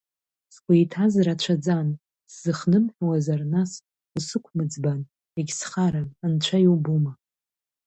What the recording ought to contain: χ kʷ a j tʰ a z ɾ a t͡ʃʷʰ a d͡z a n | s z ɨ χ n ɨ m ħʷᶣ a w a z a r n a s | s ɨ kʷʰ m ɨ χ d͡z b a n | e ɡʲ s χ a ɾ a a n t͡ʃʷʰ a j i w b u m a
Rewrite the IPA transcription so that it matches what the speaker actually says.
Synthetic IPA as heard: s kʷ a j tʰ a z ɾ a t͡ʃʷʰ a d͡z a n | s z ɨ χ n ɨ m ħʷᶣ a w a z a r n a s | s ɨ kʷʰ m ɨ d͡z b a n | e ɡʲ s χ a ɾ a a n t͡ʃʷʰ a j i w b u m a